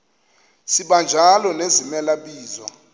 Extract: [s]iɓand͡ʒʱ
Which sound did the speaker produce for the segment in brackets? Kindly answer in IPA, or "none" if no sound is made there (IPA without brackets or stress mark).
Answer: s